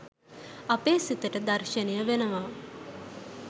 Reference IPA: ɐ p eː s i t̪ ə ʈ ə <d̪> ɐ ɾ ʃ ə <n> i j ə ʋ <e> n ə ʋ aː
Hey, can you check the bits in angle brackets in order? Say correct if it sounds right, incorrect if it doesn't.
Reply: correct, correct, correct

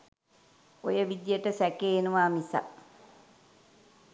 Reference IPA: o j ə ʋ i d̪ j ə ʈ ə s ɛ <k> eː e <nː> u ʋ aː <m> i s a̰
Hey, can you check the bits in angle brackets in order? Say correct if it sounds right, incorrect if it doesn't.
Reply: correct, incorrect: n, correct

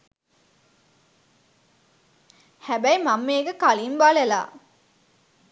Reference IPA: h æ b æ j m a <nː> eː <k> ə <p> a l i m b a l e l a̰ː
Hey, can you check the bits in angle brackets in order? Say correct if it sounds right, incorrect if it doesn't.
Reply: incorrect: mː, incorrect: ɡ, incorrect: k

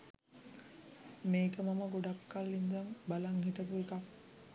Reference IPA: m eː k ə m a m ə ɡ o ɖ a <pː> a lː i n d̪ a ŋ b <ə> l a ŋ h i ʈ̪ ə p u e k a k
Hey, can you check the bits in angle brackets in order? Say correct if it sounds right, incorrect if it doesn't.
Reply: incorrect: kː, incorrect: a

